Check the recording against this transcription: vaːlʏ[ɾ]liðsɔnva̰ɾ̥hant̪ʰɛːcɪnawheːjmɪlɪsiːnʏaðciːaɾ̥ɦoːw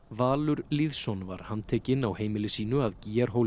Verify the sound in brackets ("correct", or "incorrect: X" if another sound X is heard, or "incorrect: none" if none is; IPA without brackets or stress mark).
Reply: correct